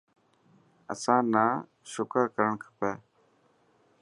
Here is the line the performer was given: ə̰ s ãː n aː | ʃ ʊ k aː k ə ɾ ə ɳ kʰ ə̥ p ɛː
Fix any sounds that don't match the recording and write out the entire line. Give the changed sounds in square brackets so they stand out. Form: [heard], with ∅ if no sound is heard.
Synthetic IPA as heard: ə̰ s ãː n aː | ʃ ʊ k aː k ə ɾ ə ɳ kʰ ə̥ p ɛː